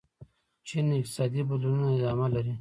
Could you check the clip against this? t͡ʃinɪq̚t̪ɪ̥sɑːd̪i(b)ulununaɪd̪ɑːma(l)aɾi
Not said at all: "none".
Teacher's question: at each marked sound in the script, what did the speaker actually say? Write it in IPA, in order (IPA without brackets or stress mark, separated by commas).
b, l